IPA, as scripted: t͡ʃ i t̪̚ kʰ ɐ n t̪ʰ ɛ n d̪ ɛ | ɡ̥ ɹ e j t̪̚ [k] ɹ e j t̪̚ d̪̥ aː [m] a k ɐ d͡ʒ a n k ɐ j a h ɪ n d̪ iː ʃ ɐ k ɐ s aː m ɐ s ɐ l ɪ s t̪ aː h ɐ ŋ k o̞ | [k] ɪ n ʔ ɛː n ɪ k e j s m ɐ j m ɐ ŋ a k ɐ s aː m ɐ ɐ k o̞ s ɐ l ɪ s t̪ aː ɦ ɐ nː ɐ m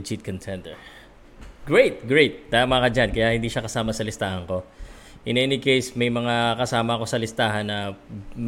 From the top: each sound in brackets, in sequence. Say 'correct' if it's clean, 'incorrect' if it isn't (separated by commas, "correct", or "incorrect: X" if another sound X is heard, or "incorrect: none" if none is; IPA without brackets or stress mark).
incorrect: ɡ, correct, incorrect: ʔ